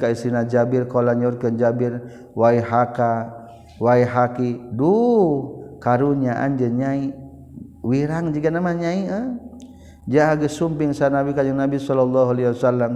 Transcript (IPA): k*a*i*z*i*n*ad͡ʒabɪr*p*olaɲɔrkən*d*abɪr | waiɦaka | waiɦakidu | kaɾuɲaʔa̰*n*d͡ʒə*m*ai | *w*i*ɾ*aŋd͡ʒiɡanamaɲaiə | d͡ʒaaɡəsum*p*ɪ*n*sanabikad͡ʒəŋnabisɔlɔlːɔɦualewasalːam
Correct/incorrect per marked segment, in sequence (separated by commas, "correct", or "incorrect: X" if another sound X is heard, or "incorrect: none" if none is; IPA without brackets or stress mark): correct, incorrect: s, correct, incorrect: k, incorrect: d͡ʒ, correct, incorrect: ɲ, correct, correct, correct, incorrect: ŋ